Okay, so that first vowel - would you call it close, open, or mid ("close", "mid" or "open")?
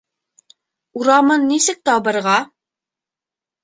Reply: close